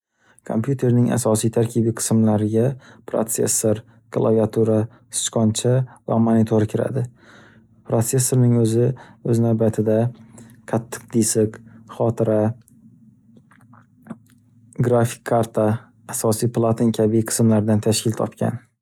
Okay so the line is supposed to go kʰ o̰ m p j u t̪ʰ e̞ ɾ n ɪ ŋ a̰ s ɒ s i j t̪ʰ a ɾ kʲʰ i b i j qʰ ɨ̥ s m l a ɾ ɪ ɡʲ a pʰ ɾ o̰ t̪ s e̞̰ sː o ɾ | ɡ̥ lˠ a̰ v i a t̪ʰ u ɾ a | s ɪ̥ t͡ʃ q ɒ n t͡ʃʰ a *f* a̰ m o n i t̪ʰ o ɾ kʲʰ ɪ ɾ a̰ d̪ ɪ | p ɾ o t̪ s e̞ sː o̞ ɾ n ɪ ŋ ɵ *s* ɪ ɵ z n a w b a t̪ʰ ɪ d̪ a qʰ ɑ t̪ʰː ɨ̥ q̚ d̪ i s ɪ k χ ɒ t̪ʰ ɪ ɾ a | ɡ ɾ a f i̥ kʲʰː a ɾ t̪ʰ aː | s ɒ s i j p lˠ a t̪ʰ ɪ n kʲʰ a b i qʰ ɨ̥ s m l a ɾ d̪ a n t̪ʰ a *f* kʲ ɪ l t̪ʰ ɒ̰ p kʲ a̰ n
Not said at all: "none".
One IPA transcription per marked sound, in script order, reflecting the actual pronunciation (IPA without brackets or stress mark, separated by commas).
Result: v, z, ʃ